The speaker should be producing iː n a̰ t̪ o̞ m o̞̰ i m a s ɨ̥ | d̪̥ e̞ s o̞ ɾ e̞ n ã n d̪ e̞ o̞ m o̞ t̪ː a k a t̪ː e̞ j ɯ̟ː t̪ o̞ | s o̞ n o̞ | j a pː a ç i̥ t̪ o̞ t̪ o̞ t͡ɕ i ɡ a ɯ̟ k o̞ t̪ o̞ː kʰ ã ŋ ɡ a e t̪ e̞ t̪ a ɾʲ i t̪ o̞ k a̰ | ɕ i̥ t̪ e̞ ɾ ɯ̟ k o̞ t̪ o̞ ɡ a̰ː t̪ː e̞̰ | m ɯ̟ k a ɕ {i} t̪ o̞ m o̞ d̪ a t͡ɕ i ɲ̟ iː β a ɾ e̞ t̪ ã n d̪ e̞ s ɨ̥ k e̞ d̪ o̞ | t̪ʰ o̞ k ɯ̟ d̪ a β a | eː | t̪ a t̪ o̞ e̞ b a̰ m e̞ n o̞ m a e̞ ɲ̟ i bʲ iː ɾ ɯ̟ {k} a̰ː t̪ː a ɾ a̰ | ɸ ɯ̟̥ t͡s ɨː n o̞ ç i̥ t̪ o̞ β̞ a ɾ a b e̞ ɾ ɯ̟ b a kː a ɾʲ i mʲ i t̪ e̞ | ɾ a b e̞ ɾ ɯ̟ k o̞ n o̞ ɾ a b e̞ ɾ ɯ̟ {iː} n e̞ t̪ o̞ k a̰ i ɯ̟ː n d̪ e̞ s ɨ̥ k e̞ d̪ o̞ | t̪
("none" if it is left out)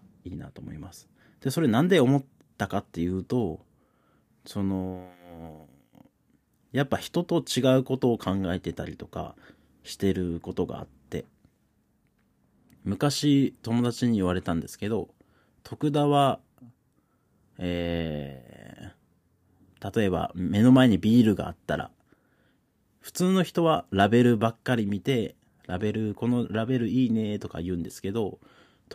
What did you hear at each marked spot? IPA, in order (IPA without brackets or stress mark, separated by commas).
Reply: i, ɡ, iː